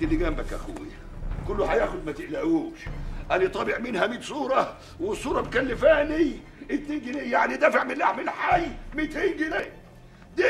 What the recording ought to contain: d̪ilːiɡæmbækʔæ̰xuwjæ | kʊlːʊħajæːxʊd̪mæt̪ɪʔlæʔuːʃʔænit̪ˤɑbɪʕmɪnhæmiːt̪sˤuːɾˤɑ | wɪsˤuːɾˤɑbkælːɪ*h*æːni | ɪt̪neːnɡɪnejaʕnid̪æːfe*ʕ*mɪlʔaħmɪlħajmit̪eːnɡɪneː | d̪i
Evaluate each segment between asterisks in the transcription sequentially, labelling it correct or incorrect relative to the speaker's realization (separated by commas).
incorrect, correct